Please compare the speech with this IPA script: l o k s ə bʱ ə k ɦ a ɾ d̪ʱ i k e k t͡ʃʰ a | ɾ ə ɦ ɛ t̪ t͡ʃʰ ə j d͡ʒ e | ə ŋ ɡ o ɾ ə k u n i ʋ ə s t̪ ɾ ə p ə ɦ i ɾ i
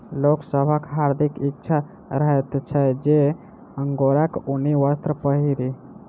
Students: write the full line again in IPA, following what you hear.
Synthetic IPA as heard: l o k s ə bʱ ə k ɦ a ɾ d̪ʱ i k i k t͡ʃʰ a | ɾ ə ɦ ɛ t̪ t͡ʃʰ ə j d͡ʒ e | ə ŋ ɡ o ɾ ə k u n i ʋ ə s t̪ ɾ ə p ə ɦ i ɾ i